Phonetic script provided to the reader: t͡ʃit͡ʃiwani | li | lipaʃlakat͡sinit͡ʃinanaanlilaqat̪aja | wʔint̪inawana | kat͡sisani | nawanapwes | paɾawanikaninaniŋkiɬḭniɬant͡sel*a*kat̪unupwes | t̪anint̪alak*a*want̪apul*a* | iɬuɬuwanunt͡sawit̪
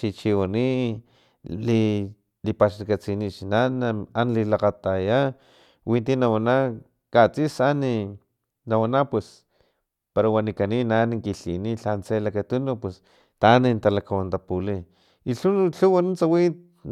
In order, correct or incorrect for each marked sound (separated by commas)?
correct, correct, incorrect